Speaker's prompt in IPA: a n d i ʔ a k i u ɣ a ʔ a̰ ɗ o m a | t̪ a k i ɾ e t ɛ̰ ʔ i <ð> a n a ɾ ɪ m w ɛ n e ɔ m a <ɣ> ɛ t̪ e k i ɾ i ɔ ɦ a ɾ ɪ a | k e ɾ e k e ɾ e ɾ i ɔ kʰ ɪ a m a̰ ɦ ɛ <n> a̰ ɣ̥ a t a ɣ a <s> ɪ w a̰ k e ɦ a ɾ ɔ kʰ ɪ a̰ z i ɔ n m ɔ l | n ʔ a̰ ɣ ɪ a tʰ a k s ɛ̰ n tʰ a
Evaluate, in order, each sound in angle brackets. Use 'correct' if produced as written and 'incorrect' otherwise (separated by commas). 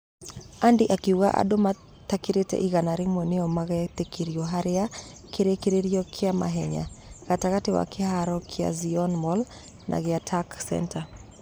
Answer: incorrect, correct, incorrect, incorrect